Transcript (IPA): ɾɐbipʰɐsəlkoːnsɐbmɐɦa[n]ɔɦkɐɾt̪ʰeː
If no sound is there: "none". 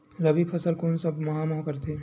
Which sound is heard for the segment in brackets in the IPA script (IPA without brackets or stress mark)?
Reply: m